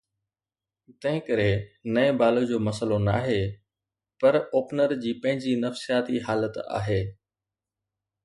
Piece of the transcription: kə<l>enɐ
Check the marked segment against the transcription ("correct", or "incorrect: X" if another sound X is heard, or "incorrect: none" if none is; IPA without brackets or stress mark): incorrect: ɾ